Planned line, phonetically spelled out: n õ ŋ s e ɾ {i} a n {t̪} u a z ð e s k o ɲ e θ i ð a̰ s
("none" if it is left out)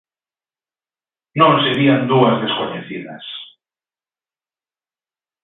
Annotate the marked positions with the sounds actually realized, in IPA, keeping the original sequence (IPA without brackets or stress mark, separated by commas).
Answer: i, d̪